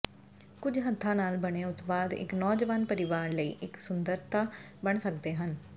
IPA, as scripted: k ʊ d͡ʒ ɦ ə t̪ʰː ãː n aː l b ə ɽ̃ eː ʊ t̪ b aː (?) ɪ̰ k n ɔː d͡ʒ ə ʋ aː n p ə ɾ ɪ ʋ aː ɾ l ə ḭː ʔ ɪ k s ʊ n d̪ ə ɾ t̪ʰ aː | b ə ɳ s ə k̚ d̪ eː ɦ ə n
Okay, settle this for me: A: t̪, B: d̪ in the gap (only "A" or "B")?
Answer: B